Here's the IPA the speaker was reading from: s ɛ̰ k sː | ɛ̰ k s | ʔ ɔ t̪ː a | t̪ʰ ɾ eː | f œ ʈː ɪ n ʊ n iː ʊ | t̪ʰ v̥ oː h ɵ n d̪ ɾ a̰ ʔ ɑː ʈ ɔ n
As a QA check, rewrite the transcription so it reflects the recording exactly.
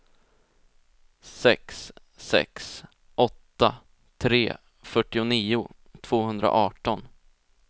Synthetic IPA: s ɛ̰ k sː | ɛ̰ k s | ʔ ɔ t̪ː a | t̪ʰ ɾ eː | f œ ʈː ɪ ʊ n iː ʊ | t̪ʰ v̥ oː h ɵ n d̪ ɾ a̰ ʔ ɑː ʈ ɔ n